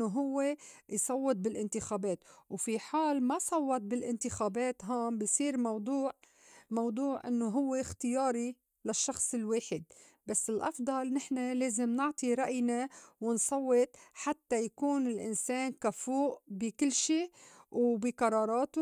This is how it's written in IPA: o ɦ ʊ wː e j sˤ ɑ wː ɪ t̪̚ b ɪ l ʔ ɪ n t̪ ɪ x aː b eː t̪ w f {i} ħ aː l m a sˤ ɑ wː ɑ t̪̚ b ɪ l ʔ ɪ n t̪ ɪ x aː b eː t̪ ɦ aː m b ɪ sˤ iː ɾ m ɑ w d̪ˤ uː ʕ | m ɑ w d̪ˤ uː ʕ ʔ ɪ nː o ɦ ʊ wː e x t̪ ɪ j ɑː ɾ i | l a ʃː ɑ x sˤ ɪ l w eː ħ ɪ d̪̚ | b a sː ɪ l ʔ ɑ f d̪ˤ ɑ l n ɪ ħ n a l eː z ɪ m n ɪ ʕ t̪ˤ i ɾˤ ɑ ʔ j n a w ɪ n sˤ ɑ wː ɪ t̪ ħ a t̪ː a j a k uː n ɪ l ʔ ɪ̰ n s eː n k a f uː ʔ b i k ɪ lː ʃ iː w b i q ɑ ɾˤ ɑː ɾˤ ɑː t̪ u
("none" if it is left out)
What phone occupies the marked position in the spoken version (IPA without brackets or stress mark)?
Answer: i